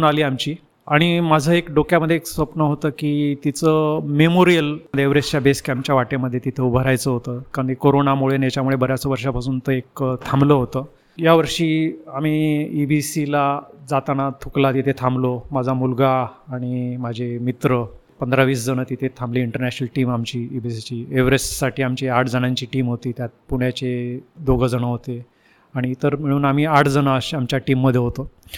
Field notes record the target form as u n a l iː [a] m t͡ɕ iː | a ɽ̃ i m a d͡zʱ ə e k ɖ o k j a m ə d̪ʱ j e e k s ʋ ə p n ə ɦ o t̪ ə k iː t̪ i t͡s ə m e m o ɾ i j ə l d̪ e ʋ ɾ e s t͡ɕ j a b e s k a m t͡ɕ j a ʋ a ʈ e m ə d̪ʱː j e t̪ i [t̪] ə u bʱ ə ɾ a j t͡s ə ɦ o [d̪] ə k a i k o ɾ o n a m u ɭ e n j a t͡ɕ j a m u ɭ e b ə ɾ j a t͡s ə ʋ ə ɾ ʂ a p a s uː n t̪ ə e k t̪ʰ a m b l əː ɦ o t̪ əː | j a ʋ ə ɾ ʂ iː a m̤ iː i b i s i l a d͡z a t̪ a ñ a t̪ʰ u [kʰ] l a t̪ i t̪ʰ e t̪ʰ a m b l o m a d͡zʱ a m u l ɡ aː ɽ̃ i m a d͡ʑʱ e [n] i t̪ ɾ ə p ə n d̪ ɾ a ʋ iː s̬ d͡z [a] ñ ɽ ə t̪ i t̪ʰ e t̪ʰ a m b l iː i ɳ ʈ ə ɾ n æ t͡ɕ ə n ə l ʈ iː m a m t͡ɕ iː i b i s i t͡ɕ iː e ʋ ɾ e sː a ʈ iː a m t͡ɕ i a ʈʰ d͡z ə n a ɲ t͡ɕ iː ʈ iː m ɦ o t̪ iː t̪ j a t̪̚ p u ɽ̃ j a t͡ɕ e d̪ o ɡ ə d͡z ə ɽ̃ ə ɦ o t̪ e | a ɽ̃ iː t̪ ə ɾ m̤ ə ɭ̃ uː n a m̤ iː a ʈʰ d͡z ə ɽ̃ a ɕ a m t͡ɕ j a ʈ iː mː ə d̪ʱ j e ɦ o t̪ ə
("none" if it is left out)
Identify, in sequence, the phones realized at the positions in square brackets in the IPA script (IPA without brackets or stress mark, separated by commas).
a, t̪ʰ, t̪, k, m, ə